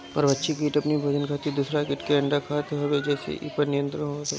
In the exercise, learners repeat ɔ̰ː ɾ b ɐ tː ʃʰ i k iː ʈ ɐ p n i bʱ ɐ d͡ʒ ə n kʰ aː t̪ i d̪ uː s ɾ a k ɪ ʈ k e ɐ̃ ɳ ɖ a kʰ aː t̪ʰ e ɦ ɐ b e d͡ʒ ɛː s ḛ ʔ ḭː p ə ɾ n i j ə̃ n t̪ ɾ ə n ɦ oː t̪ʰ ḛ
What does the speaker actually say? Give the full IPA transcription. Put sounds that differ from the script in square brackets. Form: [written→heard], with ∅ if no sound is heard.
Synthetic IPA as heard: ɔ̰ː ɾ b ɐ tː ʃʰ i k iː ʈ ɐ p n i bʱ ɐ d͡ʒ ə n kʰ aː t̪ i d̪ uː s ɾ a k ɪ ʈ k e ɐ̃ ɳ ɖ a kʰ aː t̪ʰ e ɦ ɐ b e d͡ʒ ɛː s ḛ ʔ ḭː p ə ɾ n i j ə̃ n t̪ ɾ ə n ɦ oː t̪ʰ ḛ

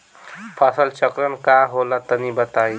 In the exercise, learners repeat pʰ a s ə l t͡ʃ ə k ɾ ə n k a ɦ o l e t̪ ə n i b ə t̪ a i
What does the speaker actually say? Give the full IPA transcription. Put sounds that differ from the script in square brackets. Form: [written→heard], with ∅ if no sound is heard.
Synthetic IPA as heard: pʰ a s ə l t͡ʃ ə k ɾ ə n k a ɦ o l [e→a] t̪ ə n i b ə t̪ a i

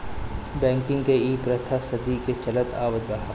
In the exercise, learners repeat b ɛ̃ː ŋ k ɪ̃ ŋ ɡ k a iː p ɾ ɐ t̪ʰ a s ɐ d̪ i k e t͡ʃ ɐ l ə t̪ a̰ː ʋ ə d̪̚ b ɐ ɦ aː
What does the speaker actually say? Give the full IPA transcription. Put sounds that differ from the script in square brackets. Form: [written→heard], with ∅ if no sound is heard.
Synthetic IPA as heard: b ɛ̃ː ŋ k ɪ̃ ŋ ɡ k [a→e] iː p ɾ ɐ t̪ʰ a s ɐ d̪ i k e t͡ʃ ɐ l ə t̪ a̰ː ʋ ə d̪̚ b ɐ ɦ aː

